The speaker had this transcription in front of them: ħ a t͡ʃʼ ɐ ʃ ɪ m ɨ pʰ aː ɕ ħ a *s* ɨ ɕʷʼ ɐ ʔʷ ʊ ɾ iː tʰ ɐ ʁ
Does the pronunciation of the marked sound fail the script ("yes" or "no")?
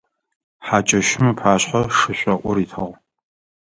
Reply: yes